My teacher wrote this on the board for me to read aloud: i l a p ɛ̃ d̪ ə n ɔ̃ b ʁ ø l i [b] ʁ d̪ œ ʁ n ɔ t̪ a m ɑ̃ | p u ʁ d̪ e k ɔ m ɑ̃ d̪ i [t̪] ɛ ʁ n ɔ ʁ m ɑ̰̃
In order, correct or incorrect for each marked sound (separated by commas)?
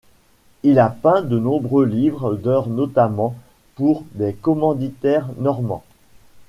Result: incorrect, correct